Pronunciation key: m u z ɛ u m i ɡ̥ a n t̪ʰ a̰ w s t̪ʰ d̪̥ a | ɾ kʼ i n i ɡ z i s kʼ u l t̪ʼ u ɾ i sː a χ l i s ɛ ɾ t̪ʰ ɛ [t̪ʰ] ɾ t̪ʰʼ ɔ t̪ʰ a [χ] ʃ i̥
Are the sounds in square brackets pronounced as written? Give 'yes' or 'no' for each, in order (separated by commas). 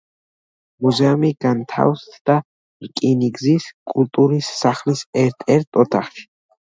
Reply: no, yes